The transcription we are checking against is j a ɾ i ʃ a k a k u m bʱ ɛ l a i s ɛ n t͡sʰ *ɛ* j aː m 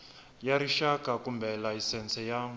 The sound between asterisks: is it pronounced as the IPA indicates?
yes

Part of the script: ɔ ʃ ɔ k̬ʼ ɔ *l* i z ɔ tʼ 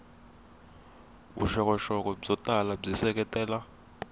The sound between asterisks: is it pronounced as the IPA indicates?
no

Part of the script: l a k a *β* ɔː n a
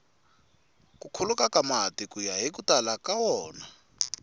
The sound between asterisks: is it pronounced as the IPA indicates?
no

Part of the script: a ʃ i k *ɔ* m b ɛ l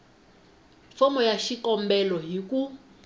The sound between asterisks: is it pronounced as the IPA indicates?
yes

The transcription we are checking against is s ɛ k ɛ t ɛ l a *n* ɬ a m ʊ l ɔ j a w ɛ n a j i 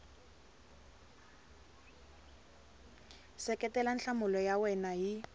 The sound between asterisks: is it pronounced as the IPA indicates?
yes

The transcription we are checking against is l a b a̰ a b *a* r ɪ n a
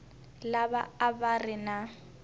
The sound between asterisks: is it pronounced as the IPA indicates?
yes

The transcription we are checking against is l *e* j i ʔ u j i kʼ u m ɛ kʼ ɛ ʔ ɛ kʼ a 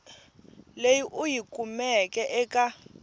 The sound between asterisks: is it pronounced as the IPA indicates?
yes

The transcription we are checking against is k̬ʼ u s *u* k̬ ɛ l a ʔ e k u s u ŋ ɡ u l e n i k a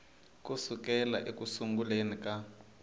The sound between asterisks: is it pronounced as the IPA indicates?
yes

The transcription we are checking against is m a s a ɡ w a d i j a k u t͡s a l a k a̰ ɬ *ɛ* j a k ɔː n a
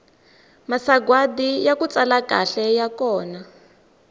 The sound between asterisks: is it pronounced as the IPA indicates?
yes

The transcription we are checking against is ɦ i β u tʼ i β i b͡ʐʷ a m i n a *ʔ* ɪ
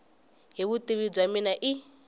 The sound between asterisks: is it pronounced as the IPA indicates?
yes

